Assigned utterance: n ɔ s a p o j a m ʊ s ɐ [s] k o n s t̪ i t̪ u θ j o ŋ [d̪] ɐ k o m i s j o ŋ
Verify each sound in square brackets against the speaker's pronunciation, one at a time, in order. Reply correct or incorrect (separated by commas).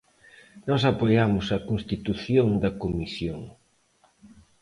incorrect, correct